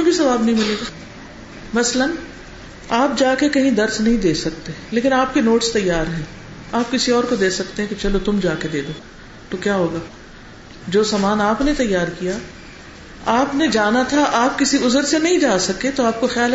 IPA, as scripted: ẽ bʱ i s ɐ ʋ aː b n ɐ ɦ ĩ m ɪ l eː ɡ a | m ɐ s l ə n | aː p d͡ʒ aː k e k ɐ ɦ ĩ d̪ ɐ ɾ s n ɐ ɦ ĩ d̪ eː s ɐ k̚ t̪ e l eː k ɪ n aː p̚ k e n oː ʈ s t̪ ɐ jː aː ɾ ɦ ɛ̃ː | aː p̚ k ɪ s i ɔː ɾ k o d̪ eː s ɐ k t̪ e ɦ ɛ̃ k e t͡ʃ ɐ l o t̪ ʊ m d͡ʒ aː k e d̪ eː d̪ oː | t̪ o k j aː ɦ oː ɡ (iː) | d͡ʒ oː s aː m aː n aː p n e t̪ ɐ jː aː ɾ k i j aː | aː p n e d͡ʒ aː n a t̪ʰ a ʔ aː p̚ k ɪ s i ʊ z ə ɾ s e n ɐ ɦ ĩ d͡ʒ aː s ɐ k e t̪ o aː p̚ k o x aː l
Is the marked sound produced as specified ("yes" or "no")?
no